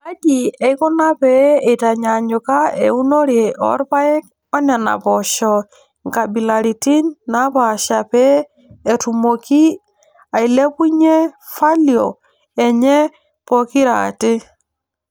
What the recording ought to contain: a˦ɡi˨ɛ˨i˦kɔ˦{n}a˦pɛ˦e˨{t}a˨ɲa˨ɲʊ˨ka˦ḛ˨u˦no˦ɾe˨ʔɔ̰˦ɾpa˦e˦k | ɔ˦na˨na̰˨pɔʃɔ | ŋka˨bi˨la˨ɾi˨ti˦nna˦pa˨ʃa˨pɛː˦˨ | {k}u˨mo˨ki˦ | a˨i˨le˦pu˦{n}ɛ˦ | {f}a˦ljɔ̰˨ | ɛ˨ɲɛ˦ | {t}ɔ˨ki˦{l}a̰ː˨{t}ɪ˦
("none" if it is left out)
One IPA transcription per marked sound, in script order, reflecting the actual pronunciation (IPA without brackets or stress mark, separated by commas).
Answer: n, t, t, ɲ, f, p, ɾ, t